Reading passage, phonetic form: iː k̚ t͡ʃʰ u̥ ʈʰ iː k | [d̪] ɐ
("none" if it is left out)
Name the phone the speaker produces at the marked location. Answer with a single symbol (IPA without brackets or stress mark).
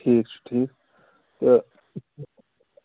t̪